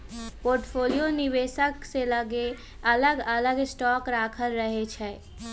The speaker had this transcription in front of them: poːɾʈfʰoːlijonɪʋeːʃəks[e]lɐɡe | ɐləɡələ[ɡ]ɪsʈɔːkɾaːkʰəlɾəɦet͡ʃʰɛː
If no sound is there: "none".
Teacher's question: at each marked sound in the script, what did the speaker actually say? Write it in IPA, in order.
e, ɡ

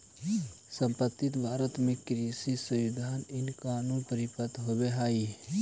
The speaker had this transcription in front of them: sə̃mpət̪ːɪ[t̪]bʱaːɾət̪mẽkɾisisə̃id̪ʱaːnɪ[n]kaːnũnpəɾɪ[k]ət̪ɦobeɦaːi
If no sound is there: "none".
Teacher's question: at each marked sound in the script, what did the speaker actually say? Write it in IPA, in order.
t̪, n, p

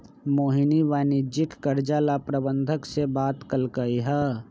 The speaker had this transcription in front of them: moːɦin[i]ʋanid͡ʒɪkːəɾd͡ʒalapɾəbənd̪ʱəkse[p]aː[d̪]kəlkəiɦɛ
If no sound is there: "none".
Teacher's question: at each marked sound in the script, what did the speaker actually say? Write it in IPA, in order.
i, b, t̪

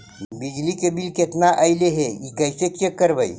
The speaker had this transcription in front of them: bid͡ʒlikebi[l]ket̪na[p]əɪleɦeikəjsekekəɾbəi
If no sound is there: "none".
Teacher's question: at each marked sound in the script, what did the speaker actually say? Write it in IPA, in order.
l, ʔ

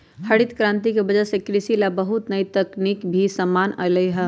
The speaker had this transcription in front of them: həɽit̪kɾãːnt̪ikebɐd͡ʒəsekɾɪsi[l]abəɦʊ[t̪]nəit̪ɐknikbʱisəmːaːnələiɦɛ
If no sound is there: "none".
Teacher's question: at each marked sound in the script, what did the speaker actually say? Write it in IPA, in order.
l, t̪

